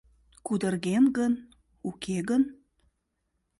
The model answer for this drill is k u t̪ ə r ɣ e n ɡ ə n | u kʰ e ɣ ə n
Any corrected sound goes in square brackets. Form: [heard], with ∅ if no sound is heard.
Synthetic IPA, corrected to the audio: k u [d̪] ə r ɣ e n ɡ ə n | u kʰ e ɣ ə n

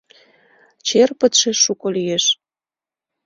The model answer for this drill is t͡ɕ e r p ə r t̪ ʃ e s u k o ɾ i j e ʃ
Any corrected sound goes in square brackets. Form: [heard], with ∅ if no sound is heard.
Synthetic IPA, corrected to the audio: t͡ɕ e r p ə [∅] t̪ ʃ e [ʃ] u k o [l] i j e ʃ

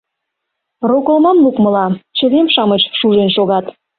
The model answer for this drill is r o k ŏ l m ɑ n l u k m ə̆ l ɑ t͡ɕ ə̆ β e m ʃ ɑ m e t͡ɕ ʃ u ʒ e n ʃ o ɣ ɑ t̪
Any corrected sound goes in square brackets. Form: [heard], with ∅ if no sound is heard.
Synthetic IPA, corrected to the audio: r o k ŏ l m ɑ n l u k m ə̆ l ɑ t͡ɕ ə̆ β e m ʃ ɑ m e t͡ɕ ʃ u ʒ e n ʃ o ɣ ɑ t̪

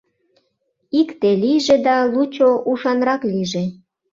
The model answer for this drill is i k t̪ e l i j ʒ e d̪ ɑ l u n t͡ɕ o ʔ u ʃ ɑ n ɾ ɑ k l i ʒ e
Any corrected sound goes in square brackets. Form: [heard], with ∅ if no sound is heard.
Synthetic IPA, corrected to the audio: i k t̪ e l i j ʒ e d̪ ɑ l u [∅] t͡ɕ o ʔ u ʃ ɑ n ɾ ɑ k l i ʒ e

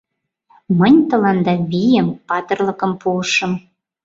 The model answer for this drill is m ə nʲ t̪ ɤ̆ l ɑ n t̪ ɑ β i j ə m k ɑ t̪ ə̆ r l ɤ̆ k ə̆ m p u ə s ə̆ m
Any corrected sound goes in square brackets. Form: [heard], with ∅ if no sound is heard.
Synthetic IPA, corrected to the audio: m ə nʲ t̪ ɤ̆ l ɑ n [d̪] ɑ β i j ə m [p] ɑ t̪ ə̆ r l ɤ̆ k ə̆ m p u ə [ʃ] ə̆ m

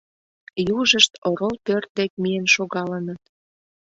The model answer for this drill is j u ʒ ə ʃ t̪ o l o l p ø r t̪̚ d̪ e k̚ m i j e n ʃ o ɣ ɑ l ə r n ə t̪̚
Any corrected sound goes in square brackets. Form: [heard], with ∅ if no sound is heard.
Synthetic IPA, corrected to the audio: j u ʒ ə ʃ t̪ o [ɾ] o l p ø r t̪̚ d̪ e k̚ m i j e n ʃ o ɣ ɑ l ə [∅] n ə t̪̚

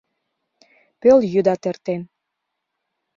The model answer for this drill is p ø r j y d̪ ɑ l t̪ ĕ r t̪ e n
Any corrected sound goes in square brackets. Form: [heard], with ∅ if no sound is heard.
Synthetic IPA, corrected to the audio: p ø [l] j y d̪ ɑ [∅] t̪ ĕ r t̪ e n

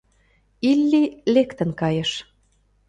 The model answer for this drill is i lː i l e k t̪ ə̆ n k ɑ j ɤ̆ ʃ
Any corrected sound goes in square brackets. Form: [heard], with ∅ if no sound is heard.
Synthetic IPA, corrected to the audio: i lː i l e k t̪ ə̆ n k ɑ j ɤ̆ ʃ

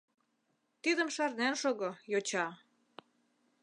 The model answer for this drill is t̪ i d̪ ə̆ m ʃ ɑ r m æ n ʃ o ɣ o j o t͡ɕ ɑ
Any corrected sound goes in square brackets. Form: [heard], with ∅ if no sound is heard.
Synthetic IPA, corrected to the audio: t̪ i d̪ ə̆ m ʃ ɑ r [n] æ n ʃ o ɣ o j o t͡ɕ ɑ

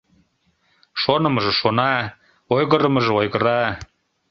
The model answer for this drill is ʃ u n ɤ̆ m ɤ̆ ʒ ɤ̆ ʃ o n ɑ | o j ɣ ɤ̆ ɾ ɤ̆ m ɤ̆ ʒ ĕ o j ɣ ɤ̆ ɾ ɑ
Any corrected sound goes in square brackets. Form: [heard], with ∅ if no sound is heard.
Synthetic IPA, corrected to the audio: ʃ [o] n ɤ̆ m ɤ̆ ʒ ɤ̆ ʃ o n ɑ | o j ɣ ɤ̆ ɾ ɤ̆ m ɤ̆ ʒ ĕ o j ɣ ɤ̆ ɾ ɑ

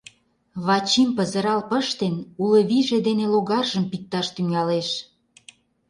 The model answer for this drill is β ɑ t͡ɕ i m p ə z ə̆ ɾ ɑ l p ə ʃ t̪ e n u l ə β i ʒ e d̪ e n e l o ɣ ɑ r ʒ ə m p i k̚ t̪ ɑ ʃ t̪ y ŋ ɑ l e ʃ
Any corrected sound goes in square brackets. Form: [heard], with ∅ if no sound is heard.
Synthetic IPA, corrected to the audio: β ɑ t͡ɕ i m p ə z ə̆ ɾ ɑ l p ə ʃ t̪ e n u l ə β i ʒ e d̪ e n e l o ɣ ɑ r ʒ ə m p i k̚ t̪ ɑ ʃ t̪ y ŋ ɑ l e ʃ

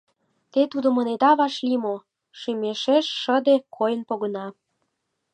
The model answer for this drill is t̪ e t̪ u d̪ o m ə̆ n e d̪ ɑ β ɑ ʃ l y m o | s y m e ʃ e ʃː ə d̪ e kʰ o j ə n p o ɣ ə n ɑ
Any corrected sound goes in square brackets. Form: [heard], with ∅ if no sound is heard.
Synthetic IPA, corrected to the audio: t̪ e t̪ u d̪ o m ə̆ n e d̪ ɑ β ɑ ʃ l [i] m o | [ʃ] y m e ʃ e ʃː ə d̪ e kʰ o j ə n p o ɣ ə n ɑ

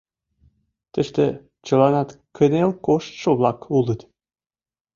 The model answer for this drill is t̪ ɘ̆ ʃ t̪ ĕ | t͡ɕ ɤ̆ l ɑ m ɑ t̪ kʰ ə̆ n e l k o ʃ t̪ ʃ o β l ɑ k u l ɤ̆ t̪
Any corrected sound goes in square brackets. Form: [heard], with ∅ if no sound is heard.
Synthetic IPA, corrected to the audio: t̪ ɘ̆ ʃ t̪ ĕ | t͡ɕ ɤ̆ l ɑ [n] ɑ t̪ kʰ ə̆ n e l k o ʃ t̪ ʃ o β l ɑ k u l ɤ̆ t̪

